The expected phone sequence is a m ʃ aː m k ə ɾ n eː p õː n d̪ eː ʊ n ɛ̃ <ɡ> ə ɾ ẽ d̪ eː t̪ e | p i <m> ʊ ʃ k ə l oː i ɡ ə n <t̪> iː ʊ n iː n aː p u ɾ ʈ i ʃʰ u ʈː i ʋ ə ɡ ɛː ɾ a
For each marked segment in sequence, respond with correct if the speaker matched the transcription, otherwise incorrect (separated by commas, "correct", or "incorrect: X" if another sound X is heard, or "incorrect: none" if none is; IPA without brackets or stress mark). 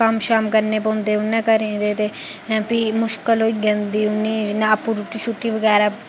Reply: incorrect: k, correct, incorrect: d̪